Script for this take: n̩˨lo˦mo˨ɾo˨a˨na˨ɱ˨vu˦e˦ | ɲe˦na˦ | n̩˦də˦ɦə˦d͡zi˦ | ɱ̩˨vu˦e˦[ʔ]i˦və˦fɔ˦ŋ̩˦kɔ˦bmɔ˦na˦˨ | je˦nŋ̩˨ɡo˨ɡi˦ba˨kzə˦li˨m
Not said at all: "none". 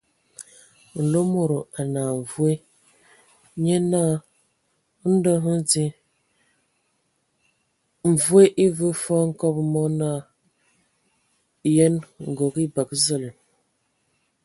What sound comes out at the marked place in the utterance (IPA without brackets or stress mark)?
ʔ